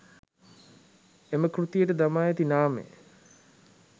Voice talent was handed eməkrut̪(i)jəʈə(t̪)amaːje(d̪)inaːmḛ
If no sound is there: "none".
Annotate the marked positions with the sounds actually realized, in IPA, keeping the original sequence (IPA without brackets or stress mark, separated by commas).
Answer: i, d̪, t̪